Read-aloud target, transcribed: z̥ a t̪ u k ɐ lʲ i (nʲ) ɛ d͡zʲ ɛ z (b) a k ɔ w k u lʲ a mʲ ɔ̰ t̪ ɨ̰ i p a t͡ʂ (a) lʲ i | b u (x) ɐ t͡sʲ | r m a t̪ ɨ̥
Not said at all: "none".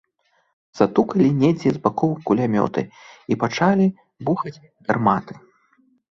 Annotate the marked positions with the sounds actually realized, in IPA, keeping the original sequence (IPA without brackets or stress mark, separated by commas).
nʲ, b, a, x